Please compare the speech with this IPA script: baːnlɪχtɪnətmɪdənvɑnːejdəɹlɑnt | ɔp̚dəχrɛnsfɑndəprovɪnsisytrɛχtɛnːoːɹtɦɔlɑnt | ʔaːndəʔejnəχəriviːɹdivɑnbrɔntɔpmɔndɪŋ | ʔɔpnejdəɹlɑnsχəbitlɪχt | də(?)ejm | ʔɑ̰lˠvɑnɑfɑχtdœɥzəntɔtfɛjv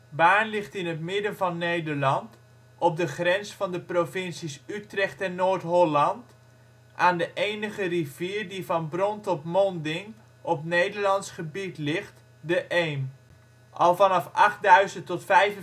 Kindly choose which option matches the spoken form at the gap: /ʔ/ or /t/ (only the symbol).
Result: ʔ